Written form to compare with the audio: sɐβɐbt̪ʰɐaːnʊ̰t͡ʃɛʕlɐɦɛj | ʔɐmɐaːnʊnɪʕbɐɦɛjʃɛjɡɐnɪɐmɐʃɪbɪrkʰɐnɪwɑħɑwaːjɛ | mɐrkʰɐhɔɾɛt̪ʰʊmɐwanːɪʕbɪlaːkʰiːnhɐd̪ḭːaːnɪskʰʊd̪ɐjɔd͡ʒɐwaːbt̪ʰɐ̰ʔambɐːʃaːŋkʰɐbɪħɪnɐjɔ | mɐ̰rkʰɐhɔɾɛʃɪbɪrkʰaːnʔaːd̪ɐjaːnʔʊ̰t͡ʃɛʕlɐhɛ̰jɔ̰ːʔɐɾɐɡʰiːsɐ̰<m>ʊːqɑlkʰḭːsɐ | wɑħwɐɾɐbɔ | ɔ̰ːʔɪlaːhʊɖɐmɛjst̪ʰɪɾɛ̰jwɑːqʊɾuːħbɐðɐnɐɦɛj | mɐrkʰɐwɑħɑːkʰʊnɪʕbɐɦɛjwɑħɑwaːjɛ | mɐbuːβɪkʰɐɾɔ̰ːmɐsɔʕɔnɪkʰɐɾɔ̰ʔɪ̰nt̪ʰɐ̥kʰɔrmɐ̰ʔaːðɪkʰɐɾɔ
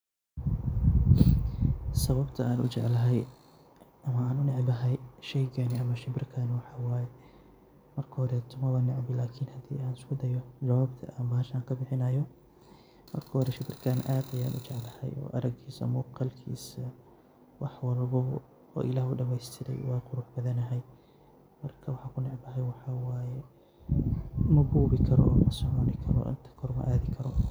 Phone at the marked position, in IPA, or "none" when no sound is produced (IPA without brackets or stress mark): m